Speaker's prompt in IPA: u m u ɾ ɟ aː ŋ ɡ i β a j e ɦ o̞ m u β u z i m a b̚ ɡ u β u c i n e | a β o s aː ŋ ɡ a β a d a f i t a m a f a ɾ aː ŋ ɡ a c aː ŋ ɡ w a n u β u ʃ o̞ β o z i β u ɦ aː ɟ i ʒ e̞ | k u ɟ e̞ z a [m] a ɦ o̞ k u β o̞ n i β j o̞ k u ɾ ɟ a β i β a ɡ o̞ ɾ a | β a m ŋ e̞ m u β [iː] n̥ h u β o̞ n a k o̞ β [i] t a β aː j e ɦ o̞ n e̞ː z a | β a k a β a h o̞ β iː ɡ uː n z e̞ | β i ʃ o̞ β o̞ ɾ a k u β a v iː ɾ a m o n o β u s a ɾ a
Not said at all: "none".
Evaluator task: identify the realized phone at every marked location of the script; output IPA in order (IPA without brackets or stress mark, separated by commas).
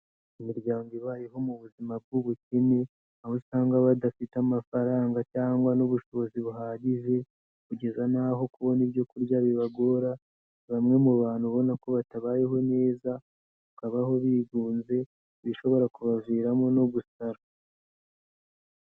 n, aː, a